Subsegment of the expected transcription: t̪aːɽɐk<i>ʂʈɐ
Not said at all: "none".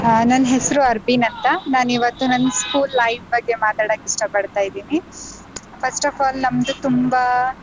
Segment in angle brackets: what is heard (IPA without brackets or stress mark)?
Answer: i